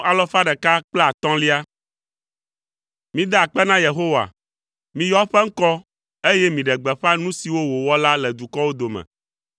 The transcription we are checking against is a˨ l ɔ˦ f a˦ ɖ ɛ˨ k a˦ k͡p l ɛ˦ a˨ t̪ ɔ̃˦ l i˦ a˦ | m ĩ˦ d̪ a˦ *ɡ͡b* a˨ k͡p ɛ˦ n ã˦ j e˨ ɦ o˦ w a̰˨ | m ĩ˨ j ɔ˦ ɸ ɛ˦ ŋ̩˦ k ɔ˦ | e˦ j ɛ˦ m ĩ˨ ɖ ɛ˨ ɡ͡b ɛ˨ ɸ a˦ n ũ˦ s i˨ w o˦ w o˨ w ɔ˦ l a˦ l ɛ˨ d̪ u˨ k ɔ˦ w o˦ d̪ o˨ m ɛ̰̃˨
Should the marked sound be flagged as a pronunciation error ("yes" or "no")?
yes